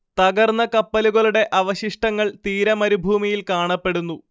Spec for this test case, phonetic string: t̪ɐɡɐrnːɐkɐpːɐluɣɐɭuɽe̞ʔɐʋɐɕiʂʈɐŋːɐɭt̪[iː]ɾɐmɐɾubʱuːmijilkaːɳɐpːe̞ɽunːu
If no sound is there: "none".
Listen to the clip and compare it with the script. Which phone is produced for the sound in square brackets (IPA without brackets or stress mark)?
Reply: iː